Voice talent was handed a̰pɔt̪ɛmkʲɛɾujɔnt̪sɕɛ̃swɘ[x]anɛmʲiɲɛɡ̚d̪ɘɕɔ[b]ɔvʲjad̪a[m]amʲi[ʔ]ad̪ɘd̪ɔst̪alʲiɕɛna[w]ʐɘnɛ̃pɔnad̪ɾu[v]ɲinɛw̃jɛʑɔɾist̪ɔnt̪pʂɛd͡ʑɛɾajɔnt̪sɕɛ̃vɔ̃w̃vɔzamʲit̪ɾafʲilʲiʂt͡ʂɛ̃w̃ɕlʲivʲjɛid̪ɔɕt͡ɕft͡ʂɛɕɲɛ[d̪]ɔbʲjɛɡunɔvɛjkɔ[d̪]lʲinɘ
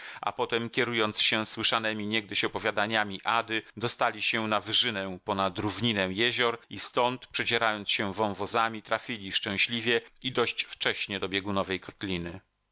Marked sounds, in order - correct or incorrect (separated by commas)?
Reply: incorrect, incorrect, incorrect, correct, incorrect, correct, correct, incorrect